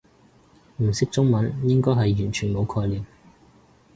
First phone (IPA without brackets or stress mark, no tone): m̩